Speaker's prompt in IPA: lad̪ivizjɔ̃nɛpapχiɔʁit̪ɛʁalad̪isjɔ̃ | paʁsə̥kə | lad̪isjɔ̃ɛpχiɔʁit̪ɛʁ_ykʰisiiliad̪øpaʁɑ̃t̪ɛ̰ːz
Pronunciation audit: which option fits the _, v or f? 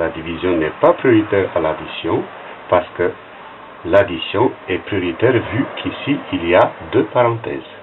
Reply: v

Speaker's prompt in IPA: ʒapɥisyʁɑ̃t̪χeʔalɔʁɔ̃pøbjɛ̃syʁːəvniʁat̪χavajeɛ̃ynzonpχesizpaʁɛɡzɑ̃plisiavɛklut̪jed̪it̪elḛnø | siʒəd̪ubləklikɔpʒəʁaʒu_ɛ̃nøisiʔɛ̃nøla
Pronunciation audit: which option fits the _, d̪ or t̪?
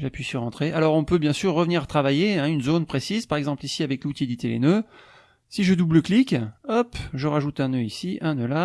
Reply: t̪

